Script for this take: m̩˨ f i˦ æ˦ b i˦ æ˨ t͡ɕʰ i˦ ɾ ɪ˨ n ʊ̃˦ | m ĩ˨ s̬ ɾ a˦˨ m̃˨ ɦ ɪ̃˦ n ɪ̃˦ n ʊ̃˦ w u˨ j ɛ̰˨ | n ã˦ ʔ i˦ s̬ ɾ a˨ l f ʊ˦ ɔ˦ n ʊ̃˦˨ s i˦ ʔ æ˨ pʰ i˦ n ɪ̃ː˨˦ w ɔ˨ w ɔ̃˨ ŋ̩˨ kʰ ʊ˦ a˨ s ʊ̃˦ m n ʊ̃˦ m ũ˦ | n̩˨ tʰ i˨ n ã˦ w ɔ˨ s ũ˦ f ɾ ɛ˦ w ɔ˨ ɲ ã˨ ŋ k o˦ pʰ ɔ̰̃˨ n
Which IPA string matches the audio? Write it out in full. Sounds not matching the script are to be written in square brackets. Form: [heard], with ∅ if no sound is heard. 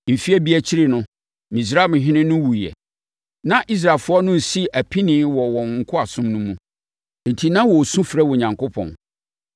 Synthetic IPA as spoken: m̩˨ f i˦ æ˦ b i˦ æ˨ t͡ɕʰ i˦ ɾ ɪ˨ n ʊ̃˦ | m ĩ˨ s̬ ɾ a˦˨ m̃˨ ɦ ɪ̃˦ n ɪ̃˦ n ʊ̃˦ w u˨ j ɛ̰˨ | n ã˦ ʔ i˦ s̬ ɾ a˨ l f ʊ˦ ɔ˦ n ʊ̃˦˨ s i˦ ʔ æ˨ pʰ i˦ n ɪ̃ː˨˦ w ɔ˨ w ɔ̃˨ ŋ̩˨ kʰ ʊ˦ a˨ s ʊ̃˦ m n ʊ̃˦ m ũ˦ | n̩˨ tʰ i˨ n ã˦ w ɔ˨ s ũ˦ f ɾ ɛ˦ w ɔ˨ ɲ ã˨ ŋ k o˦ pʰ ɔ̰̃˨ n

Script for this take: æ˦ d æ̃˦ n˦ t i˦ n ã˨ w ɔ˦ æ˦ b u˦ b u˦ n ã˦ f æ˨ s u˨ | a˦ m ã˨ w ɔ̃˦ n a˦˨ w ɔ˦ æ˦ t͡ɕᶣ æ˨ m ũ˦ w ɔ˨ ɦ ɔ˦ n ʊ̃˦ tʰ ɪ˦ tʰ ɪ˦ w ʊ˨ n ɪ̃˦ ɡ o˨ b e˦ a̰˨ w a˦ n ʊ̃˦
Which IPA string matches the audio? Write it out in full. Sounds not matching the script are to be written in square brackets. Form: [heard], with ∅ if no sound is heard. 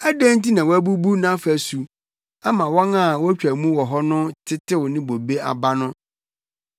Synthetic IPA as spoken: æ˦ d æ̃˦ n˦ t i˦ n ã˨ w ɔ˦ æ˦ b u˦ b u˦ n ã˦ f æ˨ s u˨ | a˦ m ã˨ w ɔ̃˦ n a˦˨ w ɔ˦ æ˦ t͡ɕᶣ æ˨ m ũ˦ w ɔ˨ ɦ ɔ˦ n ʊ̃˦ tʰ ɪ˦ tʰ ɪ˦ w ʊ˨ n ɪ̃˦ [b] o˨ b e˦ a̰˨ [b] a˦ n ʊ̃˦

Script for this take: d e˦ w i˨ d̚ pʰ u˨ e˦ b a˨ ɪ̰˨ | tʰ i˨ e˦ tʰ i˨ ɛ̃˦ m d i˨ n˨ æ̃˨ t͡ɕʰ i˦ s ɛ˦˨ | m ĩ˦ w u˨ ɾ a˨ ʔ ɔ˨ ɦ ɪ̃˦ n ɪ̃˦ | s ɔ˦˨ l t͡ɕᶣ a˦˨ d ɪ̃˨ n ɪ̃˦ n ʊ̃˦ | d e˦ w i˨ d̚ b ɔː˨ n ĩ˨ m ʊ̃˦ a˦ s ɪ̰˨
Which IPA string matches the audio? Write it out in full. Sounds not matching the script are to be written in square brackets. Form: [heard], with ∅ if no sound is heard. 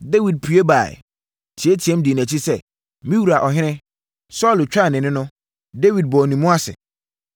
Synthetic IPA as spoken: d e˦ w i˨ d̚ pʰ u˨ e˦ b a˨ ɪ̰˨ | tʰ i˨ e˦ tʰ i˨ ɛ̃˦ m d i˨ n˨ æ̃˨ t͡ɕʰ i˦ s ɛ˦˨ | m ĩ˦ w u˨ ɾ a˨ ʔ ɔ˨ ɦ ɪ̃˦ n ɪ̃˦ | s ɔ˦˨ l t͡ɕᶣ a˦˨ [n] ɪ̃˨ n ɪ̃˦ n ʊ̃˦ | d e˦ w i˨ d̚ b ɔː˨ n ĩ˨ m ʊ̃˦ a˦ s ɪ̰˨

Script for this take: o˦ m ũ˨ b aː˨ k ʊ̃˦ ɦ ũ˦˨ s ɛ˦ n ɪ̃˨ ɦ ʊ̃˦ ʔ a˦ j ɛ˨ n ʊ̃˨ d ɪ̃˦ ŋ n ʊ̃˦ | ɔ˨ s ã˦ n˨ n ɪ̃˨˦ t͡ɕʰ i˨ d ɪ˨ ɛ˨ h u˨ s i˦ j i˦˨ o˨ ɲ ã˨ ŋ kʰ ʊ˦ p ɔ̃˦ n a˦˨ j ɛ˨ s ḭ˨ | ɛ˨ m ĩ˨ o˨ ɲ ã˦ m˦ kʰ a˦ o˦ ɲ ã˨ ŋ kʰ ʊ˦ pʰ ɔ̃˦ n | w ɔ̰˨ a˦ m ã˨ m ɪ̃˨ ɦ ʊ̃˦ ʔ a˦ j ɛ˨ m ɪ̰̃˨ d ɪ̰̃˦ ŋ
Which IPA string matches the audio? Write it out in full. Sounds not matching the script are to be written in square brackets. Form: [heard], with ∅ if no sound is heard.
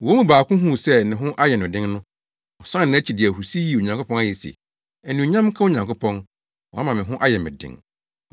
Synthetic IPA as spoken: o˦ m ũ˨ b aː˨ k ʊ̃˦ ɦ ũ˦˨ s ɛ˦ n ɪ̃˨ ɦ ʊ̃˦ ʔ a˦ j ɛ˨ n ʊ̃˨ d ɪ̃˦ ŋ n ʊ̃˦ | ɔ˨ s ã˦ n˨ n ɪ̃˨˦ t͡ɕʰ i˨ d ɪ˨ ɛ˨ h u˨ s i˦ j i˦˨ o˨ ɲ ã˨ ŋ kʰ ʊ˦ p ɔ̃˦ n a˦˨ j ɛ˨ s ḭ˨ | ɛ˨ [n] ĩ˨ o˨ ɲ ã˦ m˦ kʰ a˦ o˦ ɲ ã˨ ŋ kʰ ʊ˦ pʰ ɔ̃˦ n | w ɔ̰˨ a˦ m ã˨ m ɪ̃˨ ɦ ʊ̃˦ ʔ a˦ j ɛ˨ m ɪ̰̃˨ d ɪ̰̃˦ ŋ

